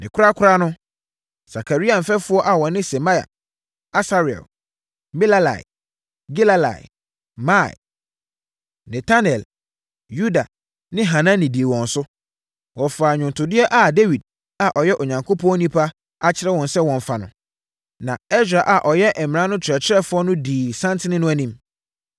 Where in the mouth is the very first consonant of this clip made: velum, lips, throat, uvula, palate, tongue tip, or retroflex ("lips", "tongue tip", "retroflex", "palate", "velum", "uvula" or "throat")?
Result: tongue tip